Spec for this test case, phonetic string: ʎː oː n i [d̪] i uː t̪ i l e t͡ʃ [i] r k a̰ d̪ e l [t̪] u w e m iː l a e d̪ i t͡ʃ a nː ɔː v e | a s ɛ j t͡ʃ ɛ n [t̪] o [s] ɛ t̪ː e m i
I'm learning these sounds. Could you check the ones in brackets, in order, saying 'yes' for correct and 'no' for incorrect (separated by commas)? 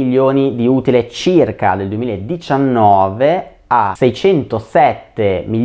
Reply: yes, yes, no, yes, yes